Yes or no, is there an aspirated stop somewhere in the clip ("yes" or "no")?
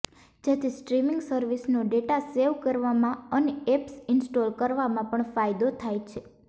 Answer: yes